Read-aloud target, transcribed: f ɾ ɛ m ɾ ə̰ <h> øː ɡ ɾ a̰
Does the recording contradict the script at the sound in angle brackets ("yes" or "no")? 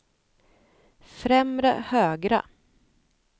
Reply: no